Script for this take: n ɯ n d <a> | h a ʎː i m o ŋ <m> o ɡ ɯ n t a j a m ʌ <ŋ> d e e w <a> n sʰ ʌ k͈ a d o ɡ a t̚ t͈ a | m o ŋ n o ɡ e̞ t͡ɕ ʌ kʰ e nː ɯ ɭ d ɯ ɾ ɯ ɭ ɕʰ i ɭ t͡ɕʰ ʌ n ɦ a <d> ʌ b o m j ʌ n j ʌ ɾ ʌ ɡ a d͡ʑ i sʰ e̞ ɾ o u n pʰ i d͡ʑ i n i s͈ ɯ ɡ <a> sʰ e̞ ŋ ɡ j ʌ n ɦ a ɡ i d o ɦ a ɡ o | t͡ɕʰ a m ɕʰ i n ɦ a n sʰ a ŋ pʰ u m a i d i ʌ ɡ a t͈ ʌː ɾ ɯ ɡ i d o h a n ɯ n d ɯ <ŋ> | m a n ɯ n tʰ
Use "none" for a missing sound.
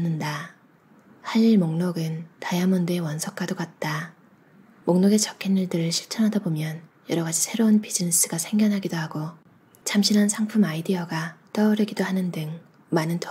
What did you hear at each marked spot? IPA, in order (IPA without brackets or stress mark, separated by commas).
a, n, n, ʌ, d, a, ŋ